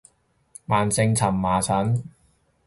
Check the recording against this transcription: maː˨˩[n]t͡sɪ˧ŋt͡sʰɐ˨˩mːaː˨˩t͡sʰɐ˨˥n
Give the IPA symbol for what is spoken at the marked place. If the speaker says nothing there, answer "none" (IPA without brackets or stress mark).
n